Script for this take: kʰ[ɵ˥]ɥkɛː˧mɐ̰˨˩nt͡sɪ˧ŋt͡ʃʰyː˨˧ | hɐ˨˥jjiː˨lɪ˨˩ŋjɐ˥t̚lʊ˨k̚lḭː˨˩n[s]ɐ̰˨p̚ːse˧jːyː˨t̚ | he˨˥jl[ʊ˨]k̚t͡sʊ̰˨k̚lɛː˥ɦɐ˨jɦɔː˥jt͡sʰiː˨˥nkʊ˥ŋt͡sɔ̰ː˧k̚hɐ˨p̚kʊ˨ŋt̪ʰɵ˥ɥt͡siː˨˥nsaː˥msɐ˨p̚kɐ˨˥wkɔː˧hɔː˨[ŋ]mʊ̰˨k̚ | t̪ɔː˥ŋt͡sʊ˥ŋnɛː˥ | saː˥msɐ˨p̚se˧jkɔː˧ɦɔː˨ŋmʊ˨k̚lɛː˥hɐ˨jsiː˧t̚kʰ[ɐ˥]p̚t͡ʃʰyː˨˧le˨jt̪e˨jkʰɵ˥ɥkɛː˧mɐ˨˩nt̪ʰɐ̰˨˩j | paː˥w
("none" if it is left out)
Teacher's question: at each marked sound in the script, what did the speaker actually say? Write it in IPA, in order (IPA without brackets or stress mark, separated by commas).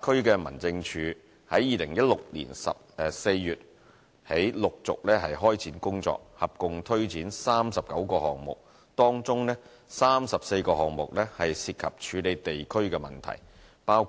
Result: ɵ˥, s, ʊ˨, ŋ, ɐ˨